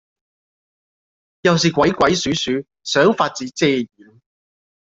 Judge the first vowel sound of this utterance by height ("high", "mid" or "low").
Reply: low